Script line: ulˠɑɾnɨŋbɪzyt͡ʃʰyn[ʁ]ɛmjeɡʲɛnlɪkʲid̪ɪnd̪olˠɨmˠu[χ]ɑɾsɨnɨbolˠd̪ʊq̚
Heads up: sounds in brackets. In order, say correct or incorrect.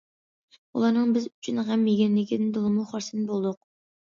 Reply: correct, correct

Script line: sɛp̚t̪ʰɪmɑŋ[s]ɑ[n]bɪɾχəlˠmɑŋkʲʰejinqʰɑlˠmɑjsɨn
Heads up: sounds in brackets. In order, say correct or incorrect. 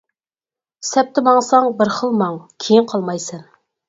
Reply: correct, incorrect: ŋ

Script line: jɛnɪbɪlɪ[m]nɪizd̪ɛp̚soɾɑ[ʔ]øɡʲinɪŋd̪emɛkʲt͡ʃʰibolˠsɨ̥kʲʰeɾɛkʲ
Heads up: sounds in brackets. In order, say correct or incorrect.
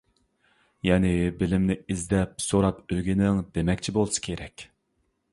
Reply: correct, incorrect: p

